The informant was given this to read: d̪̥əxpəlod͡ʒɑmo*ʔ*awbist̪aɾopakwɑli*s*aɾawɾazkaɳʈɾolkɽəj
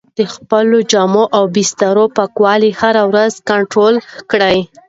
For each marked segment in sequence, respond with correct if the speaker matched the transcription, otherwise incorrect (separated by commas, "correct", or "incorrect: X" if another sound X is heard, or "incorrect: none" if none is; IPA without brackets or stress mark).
correct, incorrect: h